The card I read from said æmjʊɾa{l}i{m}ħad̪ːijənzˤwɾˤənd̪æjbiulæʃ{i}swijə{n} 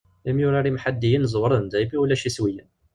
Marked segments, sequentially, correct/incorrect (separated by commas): incorrect, correct, correct, correct